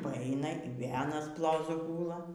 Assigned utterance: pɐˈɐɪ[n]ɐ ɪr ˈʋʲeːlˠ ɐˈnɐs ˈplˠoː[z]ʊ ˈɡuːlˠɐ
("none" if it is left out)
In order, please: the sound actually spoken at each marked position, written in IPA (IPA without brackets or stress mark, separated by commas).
n, z